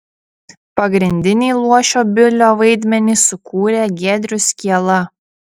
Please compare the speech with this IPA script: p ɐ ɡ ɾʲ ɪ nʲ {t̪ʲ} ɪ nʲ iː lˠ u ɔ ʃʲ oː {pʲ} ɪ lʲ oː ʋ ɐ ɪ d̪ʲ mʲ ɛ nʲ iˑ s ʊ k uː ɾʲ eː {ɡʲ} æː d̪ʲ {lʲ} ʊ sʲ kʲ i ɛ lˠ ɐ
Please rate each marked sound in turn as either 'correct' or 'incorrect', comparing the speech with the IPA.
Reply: incorrect: d̪ʲ, incorrect: bʲ, correct, incorrect: ɾʲ

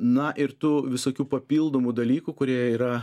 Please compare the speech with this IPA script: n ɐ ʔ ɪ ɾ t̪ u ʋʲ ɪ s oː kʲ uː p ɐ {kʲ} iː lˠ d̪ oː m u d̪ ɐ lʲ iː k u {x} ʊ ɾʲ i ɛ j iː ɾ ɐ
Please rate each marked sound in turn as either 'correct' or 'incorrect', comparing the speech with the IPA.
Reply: incorrect: pʲ, incorrect: k

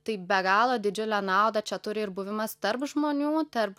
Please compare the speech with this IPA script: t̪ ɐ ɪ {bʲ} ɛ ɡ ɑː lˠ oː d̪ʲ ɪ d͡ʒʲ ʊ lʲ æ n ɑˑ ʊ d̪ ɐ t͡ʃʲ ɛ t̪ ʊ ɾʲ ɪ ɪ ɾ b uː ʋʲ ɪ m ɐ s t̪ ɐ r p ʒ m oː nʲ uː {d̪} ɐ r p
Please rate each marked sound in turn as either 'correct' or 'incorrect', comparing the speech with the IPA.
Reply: correct, incorrect: t̪

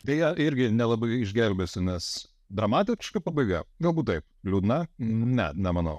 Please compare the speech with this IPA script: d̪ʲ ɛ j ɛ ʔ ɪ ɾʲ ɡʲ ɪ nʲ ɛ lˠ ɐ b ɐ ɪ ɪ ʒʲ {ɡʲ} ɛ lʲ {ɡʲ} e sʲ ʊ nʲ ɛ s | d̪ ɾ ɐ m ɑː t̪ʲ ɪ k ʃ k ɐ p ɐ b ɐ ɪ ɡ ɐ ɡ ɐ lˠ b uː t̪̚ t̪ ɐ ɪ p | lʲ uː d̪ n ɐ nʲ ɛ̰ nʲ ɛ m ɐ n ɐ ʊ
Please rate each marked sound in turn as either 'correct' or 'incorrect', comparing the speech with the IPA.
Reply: correct, incorrect: bʲ

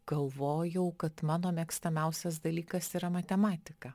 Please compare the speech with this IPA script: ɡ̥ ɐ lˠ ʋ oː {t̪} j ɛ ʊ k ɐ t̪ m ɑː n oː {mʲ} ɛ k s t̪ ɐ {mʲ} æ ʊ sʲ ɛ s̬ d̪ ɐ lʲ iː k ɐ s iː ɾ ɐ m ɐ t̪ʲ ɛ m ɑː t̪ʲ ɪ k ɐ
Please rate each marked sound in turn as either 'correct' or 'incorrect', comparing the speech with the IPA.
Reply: incorrect: none, correct, correct

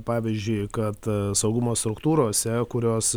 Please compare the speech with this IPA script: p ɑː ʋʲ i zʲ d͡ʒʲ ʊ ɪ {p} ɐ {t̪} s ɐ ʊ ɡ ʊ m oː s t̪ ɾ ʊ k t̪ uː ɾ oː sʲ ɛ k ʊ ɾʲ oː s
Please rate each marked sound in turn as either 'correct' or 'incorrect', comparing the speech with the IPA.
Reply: incorrect: k, correct

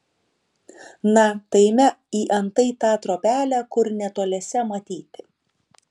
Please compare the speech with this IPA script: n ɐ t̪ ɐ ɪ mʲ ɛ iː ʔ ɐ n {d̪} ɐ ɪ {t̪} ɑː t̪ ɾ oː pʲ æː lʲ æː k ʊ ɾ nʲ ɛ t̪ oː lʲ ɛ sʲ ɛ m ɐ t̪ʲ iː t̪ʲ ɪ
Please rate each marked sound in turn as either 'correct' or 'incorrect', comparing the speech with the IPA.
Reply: incorrect: t̪, correct

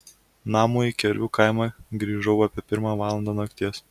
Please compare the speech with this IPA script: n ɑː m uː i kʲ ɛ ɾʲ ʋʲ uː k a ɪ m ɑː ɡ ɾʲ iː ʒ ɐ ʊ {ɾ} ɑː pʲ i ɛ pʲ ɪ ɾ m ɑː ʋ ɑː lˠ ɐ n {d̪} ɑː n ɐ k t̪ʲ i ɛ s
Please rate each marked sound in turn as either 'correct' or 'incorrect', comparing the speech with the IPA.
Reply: incorrect: none, correct

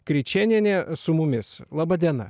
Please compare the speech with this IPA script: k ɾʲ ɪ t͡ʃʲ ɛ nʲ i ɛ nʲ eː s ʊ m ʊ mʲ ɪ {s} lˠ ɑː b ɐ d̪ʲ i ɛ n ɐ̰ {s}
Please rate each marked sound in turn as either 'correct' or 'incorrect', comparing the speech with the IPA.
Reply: correct, incorrect: none

